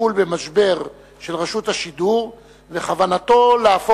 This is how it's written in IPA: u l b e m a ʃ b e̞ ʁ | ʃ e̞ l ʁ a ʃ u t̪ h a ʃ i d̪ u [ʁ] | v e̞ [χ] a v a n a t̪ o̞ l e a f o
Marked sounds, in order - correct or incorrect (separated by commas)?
correct, correct